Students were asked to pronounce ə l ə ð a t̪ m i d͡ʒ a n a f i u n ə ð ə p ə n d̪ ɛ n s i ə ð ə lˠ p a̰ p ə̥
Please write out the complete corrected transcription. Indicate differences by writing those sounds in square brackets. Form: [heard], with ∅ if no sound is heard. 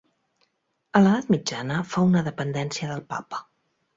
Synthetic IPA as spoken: ə l ə ð a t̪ m i d͡ʒ a n [ə] f [a] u n ə ð ə p ə n d̪ ɛ n s i ə ð ə lˠ p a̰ p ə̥